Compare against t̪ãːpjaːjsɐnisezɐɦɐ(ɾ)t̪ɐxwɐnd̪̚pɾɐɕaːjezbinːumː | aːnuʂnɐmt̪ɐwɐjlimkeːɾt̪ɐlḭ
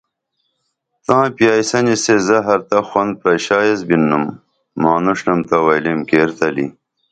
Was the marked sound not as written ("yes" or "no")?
no